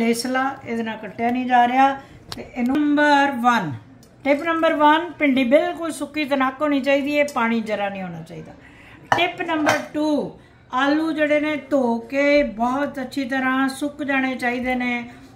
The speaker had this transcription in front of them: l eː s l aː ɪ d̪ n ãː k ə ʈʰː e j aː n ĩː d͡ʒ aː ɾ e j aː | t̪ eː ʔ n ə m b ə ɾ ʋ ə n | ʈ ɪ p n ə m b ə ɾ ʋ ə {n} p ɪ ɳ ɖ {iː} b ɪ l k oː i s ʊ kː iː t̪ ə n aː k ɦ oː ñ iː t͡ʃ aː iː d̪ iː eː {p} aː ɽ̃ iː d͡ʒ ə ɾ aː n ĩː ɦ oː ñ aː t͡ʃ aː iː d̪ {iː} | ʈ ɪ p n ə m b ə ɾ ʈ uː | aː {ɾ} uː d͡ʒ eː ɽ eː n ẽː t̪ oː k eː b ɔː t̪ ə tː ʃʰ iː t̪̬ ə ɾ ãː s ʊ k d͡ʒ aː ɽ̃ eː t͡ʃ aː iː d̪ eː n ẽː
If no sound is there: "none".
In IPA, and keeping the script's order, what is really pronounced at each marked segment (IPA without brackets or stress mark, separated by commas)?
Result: n, iː, p, aː, l